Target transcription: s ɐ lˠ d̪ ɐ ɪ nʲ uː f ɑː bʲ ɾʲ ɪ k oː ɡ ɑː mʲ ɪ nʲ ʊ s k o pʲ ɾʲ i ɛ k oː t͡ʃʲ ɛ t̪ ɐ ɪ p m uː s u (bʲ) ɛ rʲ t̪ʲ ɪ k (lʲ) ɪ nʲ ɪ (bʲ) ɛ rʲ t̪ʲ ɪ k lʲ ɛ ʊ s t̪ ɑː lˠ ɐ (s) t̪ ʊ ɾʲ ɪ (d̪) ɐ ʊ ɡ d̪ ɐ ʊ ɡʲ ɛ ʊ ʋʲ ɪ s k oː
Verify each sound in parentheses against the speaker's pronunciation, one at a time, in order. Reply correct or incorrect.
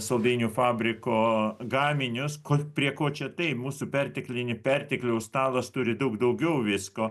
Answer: incorrect: pʲ, correct, incorrect: pʲ, correct, correct

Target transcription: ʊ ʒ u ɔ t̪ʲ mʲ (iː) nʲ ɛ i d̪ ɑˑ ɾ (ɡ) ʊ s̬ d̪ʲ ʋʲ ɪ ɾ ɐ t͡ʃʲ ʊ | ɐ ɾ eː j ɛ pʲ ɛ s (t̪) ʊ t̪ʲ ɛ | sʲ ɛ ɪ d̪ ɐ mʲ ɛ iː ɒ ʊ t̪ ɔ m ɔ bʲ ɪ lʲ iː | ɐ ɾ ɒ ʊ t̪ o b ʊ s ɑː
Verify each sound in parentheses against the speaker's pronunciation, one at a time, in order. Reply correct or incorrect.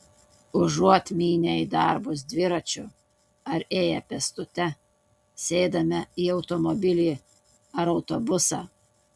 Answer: correct, incorrect: b, correct

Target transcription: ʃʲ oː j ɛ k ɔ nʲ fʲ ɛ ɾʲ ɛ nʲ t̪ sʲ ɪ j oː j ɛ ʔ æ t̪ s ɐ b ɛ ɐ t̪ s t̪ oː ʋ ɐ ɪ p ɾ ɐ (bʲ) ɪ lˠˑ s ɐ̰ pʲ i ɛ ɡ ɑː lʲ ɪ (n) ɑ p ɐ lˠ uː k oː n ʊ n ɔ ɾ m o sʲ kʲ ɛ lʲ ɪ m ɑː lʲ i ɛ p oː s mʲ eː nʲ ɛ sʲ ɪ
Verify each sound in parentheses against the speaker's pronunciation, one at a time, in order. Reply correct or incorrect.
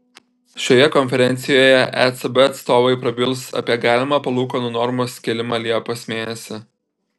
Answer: correct, incorrect: m

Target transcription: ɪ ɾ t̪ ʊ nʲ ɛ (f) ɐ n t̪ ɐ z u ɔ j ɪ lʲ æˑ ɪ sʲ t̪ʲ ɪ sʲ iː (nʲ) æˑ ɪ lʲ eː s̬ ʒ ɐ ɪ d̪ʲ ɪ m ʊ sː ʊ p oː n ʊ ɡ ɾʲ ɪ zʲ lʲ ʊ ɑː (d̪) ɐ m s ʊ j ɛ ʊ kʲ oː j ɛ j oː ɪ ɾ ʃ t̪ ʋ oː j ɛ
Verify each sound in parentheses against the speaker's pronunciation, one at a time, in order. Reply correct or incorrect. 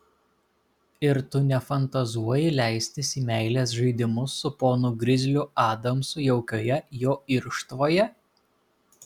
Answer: correct, incorrect: mʲ, correct

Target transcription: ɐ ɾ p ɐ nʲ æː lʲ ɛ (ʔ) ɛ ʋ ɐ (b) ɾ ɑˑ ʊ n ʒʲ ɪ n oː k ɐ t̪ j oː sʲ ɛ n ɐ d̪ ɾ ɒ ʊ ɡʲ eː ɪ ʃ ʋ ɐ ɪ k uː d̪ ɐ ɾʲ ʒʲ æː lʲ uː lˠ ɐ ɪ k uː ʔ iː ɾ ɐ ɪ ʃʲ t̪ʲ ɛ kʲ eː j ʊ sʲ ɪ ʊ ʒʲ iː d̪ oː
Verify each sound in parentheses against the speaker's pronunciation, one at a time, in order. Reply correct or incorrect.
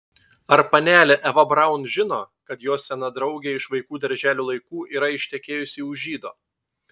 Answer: correct, correct

